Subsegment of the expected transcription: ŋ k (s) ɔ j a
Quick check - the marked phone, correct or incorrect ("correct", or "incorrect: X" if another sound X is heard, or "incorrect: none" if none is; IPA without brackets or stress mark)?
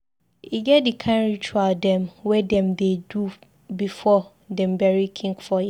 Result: incorrect: f